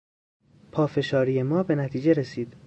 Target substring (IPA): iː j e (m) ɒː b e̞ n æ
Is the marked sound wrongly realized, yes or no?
no